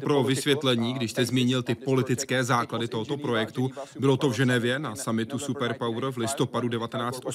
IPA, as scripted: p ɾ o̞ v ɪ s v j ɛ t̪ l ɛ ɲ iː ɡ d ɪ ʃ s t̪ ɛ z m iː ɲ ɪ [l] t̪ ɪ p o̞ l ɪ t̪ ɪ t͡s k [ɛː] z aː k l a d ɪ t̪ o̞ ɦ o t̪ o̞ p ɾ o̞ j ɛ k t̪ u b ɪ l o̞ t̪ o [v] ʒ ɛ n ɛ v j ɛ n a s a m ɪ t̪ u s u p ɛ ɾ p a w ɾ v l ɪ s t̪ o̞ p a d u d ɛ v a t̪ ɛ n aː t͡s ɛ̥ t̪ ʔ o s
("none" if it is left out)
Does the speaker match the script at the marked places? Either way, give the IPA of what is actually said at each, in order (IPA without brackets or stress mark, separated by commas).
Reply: l, ɛː, v